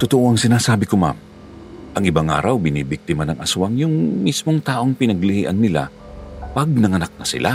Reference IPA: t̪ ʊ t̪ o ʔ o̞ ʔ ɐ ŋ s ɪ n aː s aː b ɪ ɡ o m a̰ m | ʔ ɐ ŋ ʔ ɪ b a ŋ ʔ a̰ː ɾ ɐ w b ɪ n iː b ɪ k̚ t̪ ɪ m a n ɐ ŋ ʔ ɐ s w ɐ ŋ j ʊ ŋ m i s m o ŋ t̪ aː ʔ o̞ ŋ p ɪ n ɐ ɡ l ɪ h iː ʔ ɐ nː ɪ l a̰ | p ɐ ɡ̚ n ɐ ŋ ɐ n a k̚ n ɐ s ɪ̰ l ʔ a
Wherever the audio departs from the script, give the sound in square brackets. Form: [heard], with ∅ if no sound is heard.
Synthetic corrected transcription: t̪ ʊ t̪ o ʔ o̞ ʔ ɐ ŋ s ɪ n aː s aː b ɪ [k] o m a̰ m | ʔ ɐ ŋ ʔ ɪ b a ŋ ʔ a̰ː ɾ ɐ w b ɪ n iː b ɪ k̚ t̪ ɪ m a n ɐ ŋ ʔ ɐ s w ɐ ŋ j ʊ ŋ m i s m o ŋ t̪ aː ʔ o̞ ŋ p ɪ n ɐ ɡ l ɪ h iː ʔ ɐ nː ɪ l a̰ | p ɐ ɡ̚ n ɐ ŋ ɐ n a k̚ n ɐ s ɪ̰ l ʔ a